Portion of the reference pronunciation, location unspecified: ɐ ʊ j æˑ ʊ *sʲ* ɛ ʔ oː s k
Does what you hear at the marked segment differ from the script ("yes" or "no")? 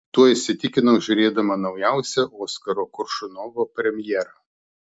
no